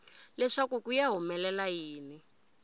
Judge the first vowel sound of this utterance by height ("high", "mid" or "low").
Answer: mid